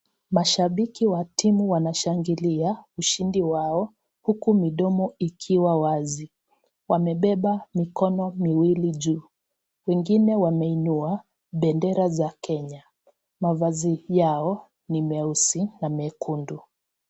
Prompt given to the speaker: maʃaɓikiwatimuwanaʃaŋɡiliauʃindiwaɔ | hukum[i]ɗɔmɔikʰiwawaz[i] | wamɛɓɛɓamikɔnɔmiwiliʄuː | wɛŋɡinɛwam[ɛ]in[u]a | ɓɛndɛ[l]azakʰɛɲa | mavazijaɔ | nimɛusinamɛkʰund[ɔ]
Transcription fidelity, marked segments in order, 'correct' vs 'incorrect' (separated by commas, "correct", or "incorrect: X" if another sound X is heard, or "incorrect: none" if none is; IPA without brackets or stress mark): correct, correct, correct, correct, incorrect: ɾ, incorrect: u